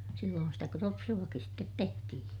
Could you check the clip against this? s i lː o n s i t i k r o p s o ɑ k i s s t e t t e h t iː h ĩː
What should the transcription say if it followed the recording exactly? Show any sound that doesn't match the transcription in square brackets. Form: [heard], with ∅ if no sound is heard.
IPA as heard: s i lː [oː] n s i t [æ] k r o p s [u] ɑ k i s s t e t t e h t [i] h ĩː